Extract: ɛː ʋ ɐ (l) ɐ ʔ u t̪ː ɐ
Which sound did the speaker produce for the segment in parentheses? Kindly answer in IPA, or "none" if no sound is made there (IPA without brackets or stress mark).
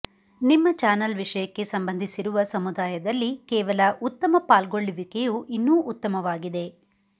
l